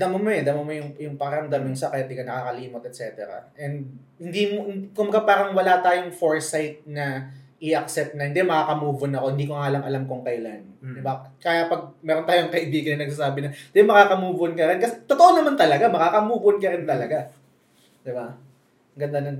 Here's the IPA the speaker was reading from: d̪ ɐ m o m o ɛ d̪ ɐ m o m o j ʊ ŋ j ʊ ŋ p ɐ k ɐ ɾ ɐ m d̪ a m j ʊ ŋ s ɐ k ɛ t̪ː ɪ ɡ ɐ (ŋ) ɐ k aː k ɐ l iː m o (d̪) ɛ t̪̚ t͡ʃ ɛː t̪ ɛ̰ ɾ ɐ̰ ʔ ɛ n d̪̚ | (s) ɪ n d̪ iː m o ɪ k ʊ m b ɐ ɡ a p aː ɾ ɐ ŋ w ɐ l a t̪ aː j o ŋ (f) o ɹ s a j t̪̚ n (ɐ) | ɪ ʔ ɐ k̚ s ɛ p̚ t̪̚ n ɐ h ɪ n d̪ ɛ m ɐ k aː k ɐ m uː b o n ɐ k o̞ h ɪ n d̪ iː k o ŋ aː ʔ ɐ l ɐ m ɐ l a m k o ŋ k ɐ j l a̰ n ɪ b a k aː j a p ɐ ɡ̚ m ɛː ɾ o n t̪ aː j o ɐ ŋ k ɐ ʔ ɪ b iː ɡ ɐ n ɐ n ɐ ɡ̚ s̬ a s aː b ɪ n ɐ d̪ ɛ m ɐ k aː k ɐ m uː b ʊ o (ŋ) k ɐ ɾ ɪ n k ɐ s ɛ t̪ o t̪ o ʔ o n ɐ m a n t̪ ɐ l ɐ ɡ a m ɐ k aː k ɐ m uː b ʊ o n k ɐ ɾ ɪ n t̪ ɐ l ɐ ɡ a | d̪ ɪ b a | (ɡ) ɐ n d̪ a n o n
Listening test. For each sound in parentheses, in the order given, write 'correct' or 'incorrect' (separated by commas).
incorrect, incorrect, incorrect, correct, correct, incorrect, correct